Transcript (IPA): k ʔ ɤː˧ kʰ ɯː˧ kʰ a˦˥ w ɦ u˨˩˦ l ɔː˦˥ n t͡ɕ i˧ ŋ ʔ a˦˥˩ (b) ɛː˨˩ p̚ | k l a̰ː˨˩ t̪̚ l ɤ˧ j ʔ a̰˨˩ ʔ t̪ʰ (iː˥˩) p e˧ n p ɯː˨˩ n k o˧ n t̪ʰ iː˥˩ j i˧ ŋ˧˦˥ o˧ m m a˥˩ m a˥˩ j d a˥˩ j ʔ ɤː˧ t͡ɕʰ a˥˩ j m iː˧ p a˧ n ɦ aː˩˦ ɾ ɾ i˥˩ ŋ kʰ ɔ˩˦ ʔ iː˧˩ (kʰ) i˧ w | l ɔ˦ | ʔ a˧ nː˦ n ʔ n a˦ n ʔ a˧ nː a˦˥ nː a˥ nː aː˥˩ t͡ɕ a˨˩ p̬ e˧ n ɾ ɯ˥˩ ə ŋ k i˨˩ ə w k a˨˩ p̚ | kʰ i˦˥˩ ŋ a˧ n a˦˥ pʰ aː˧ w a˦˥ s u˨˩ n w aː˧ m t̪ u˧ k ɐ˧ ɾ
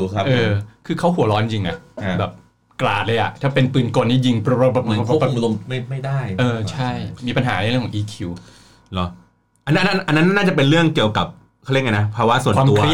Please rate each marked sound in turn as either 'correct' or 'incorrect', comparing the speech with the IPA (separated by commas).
correct, incorrect, correct